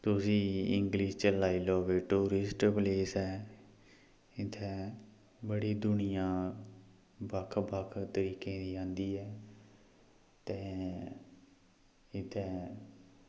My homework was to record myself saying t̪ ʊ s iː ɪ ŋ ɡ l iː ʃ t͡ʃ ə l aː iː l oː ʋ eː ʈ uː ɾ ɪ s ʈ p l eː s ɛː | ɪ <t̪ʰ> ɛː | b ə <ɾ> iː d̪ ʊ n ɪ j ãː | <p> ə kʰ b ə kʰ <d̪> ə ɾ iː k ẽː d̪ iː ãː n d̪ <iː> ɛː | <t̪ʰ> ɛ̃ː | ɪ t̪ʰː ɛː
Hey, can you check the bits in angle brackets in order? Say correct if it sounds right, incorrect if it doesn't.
correct, incorrect, incorrect, incorrect, correct, incorrect

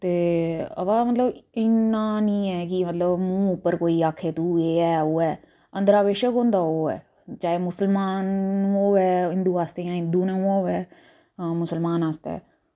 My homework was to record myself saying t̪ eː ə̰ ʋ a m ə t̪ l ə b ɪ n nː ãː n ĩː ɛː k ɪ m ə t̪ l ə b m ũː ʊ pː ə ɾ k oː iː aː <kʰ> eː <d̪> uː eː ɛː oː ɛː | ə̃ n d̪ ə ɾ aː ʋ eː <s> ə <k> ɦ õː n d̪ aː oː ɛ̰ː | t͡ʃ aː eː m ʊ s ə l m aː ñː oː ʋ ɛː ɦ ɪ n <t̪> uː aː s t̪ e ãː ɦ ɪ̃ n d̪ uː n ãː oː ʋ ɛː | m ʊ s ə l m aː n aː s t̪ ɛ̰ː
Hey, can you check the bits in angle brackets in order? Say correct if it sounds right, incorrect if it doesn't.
correct, incorrect, incorrect, correct, incorrect

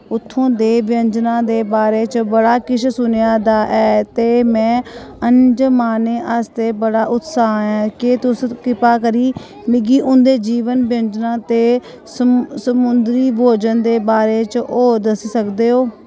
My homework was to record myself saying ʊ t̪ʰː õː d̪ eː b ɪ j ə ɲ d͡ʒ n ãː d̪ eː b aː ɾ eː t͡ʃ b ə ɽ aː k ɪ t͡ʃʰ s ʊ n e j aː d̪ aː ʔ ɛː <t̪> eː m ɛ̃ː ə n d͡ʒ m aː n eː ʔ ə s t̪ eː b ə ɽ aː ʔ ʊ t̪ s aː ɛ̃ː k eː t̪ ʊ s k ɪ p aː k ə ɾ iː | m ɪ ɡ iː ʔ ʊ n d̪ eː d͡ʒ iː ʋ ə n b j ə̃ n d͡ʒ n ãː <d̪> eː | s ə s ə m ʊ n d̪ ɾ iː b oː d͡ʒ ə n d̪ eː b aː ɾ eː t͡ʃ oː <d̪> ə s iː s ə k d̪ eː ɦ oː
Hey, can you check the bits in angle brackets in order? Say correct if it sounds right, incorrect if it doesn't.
correct, incorrect, correct

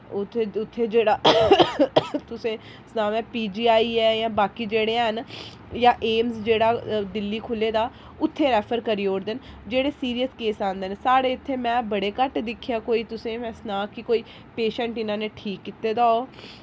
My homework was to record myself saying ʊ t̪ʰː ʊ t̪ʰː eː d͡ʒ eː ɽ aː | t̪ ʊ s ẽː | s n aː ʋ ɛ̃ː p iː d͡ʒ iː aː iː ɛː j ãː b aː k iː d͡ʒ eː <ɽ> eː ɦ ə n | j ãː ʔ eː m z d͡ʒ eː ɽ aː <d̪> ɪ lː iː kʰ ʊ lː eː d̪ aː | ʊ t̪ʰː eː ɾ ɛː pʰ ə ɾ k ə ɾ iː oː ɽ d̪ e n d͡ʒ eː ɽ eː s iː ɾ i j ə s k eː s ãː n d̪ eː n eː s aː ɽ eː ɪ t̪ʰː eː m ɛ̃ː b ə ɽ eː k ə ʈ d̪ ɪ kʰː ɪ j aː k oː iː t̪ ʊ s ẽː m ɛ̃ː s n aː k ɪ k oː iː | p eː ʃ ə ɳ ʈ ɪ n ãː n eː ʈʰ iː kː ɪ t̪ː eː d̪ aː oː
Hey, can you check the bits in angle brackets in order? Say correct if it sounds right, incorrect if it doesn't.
correct, correct

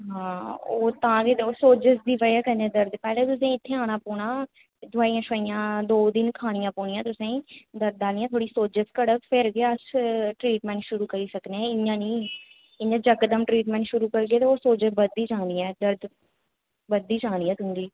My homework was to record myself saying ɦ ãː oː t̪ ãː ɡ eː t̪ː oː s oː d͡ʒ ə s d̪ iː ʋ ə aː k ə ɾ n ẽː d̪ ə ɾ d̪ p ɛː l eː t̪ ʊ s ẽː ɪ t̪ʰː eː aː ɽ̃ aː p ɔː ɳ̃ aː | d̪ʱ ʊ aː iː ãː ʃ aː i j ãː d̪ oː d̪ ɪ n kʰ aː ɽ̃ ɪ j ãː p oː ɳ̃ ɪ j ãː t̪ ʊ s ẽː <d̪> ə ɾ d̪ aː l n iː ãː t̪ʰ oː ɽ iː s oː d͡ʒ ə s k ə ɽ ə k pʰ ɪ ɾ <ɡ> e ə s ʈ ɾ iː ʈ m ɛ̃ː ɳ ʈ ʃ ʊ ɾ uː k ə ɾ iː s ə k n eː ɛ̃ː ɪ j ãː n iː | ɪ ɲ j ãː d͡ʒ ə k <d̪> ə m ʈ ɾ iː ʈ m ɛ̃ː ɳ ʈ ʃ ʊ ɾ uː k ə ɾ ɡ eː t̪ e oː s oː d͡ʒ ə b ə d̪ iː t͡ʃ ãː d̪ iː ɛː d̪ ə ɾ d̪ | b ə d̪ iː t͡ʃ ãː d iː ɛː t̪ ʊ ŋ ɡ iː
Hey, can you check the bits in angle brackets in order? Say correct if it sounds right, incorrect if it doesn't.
correct, correct, correct

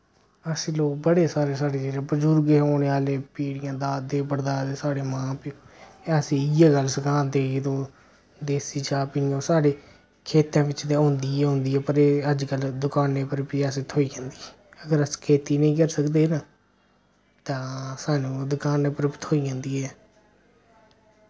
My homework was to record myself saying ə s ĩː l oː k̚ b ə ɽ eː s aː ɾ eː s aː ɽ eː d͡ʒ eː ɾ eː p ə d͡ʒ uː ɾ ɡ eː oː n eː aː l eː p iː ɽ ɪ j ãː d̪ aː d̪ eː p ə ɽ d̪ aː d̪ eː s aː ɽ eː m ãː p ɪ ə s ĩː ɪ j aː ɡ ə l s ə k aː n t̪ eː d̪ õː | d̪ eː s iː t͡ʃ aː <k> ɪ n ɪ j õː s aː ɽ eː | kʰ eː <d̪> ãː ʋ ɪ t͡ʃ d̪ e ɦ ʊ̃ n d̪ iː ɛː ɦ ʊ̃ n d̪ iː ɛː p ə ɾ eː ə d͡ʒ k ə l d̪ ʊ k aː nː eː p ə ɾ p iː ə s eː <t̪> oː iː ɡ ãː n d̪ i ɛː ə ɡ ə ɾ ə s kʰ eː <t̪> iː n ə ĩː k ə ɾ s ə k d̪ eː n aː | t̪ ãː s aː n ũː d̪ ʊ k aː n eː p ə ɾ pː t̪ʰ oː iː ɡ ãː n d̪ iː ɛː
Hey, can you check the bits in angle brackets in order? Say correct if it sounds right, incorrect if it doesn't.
incorrect, incorrect, incorrect, correct

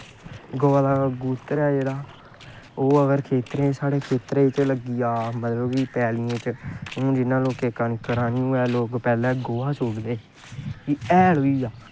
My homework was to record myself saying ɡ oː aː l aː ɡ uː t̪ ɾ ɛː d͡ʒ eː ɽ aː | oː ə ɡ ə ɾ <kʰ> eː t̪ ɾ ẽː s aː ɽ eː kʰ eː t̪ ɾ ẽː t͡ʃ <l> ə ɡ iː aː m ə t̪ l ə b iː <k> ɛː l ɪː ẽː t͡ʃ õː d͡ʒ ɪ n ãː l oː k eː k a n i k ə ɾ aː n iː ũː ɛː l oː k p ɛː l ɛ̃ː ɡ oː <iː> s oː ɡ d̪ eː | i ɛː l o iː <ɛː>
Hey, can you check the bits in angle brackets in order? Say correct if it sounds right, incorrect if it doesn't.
correct, correct, incorrect, incorrect, incorrect

